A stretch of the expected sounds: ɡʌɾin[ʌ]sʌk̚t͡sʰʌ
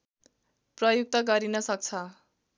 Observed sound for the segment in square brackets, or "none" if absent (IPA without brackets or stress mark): ʌ